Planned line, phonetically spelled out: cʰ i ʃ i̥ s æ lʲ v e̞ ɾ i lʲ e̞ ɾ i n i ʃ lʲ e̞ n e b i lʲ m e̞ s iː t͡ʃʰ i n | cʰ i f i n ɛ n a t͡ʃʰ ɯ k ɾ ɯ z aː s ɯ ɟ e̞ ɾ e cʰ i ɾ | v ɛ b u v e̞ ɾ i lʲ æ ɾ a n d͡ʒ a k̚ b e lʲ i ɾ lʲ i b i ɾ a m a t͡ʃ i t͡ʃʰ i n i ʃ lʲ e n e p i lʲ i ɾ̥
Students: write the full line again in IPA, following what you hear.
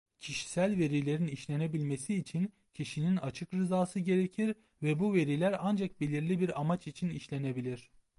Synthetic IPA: cʰ i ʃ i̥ s æ lʲ v e̞ ɾ i lʲ e̞ ɾ i n i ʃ lʲ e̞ n e b i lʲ m e̞ s iː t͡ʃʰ i n | cʰ i ʃ i n i n a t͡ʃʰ ɯ k ɾ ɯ z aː s ɯ ɟ e̞ ɾ e cʰ i ɾ | v ɛ b u v e̞ ɾ i lʲ æ ɾ a n d͡ʒ a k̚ b e lʲ i ɾ lʲ i b i ɾ a m a t͡ʃ i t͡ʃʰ i n i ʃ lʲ e n e b i lʲ i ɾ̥